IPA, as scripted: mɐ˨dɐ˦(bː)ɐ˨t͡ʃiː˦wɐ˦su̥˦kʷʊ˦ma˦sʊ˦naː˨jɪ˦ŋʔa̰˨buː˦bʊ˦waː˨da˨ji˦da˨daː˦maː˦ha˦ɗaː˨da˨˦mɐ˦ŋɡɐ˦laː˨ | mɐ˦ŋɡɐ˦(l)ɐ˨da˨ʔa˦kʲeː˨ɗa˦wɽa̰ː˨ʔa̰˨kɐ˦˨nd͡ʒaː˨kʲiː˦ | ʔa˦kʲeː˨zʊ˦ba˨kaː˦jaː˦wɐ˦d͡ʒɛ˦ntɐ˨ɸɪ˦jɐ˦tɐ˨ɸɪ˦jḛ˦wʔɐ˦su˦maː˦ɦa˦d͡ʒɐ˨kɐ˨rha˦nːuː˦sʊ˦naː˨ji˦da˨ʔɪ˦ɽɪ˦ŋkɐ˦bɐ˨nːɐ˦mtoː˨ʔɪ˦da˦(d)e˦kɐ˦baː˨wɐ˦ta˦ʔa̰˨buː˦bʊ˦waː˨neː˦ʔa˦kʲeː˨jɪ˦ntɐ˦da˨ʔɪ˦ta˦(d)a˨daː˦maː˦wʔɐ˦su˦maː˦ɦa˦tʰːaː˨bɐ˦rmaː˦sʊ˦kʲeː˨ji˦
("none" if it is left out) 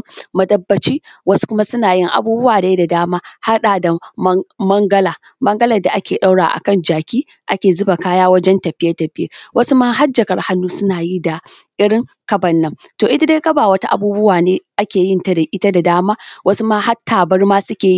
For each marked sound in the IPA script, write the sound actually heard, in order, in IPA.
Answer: bː, l, d, d

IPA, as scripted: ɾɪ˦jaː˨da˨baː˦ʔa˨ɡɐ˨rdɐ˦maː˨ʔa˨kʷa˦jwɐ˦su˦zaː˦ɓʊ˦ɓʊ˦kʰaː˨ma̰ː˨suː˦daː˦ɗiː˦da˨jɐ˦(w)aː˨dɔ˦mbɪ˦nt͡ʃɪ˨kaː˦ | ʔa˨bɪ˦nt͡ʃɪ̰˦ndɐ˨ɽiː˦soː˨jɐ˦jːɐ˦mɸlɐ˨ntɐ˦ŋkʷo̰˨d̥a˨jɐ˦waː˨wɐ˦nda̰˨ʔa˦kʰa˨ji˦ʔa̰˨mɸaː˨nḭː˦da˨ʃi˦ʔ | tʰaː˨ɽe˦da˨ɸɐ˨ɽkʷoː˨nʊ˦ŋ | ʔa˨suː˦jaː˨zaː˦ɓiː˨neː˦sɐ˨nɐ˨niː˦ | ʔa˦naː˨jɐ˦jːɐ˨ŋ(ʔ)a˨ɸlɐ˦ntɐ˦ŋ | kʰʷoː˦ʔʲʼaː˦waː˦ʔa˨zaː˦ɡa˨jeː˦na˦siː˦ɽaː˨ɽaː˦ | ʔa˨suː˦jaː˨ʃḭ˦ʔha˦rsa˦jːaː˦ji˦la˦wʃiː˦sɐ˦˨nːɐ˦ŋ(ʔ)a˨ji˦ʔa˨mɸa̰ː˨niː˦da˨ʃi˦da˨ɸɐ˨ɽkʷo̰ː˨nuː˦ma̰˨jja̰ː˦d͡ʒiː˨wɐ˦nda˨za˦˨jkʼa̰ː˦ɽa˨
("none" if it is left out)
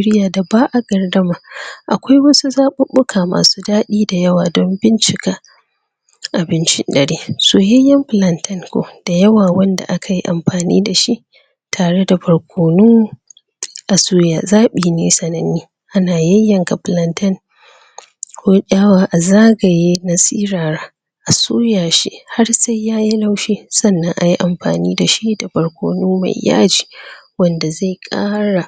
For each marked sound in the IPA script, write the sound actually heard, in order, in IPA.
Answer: w, k, ʔ

